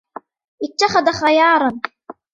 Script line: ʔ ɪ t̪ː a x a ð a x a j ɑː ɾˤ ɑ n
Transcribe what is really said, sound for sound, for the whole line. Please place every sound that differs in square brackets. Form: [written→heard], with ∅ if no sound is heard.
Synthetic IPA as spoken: ʔ ɪ t̪ː a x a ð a x a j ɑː ɾˤ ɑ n